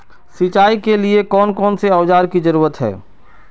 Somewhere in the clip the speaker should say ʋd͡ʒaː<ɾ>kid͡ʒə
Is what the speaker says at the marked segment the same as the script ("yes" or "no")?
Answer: yes